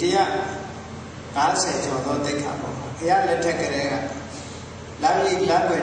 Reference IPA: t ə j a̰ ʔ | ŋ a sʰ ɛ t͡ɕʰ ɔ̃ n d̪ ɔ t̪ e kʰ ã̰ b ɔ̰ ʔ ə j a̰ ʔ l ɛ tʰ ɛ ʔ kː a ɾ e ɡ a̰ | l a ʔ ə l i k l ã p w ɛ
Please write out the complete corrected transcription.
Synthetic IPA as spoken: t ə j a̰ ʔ | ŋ a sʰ ɛ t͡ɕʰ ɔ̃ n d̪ ɔ t̪ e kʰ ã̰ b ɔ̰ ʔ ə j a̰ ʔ l ɛ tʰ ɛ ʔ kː ə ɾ ɛ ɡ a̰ | l a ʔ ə l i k l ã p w ɛ